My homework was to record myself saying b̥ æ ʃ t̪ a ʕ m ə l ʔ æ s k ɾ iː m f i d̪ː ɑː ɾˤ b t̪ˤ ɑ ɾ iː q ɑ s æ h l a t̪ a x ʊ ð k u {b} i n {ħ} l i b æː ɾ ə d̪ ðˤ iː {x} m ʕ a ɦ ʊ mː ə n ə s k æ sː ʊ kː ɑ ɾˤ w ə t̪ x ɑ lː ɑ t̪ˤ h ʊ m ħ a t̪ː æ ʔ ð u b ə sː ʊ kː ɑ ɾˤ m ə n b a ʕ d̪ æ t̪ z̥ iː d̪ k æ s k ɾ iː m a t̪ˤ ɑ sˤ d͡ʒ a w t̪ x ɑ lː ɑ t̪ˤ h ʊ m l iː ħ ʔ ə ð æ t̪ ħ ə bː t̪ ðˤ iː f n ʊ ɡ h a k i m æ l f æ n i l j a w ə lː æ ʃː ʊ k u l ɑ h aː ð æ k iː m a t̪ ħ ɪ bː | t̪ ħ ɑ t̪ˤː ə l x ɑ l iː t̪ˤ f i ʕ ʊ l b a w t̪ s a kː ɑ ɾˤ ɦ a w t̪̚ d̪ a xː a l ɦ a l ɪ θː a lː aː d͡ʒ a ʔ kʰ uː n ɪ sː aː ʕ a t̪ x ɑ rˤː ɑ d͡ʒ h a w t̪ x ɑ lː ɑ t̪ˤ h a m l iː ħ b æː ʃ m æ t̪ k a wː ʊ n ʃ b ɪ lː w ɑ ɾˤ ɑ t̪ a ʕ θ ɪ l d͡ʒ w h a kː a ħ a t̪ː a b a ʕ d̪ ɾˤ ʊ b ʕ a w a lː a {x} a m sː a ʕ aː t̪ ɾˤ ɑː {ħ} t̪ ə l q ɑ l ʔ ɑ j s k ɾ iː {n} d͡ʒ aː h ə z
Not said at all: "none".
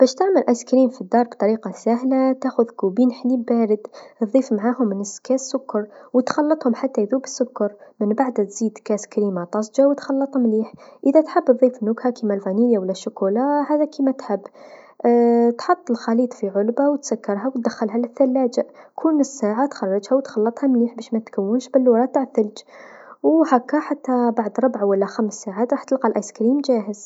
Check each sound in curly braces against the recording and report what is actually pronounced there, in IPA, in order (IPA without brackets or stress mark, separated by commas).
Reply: b, ħ, f, x, ħ, m